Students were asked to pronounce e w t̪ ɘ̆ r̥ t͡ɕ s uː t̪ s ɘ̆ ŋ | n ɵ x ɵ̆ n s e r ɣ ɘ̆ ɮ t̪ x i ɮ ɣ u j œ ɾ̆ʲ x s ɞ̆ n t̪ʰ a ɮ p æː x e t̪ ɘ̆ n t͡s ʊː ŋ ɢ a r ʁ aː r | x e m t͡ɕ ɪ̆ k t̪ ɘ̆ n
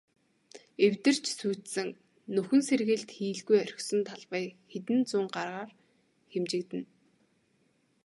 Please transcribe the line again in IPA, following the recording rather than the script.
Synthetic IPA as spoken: e w t̪ ɘ̆ r̥ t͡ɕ s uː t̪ s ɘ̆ ŋ | n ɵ x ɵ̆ n s e r ɣ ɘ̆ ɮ t̪ x iː ɮ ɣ u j œ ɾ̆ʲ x s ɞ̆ n t̪ʰ a ɮ p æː x e t̪ ɘ̆ n t͡s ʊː ŋ ɢ a r ʁ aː r | x e m t͡ɕ ɪ̆ k t̪ ɘ̆ n

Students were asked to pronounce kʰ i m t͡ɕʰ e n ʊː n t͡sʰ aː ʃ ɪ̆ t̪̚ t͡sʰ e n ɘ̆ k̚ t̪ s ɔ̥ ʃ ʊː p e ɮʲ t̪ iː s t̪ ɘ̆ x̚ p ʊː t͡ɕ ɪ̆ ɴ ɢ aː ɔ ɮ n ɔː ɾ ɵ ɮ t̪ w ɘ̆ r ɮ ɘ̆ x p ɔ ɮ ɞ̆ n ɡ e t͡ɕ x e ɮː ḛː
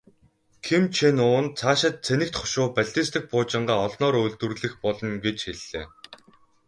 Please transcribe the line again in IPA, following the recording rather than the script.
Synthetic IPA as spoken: kʰ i m t͡ɕʰ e n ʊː n t͡sʰ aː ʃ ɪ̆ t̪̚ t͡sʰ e n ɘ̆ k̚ t̪ χ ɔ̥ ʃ ʊː p æ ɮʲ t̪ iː s t̪ ɘ̆ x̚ p ʊː t͡ɕ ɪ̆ ɴ ɢ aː ɔ ɮ n ɔː ɾ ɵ ɮ t̪ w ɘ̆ r ɮ ɘ̆ x p ɔ ɮ ɞ̆ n ɡ e t͡ɕ x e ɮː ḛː

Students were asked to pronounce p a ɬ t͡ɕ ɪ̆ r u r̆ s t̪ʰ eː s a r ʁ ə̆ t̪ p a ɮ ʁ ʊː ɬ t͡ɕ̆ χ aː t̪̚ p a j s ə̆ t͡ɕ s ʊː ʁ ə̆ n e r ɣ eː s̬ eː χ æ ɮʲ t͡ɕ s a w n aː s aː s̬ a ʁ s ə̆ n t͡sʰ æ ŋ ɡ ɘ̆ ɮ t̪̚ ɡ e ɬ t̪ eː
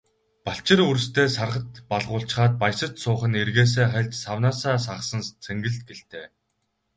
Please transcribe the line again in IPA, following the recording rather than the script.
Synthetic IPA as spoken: p a ɬ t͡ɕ ɪ̆ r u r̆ s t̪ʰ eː s a r ʁ ə̆ t̪ p a ɮ ʁ ʊː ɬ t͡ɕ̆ χ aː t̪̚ p a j s ə̆ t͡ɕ s ʊː χ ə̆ n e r ɣ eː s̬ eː χ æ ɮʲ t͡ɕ s a w n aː s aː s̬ a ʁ s ə̆ n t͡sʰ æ ŋ ɡ ɘ̆ ɮ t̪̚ ɡ e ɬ t̪ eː

